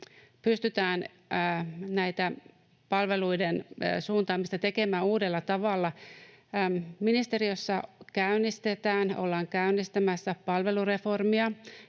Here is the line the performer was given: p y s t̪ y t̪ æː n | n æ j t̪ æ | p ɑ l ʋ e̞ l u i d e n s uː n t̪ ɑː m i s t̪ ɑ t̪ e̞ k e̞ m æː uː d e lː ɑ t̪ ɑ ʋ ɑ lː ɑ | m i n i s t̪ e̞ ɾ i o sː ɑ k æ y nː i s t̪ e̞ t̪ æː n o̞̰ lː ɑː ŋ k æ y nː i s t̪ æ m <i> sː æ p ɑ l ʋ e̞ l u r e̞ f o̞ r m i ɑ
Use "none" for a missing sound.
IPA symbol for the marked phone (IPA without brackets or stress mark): æ